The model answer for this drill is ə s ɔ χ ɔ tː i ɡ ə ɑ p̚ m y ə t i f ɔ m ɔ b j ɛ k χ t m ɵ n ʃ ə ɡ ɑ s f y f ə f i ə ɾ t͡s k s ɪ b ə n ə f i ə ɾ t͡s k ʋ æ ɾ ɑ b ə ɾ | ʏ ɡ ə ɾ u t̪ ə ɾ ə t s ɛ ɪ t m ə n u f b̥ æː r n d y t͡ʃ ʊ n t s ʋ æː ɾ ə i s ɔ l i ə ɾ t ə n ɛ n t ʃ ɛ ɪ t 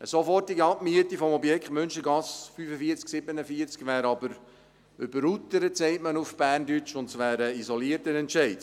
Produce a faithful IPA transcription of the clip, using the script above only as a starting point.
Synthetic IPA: ə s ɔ f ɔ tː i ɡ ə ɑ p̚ m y ə t i f ɔ m ɔ b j ɛ k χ t m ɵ n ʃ ə ɡ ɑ s f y f ə f i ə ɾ t͡s k s ɪ b ə n ə f i ə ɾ t͡s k ʋ æː ɾ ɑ b ə ɾ | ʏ b ə ɾ u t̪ ə ɾ ə t s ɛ ɪ t m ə n u f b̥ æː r n d y t͡ʃ ʊ n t s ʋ æː ɾ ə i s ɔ l i ə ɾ t ə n ɛ n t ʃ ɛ ɪ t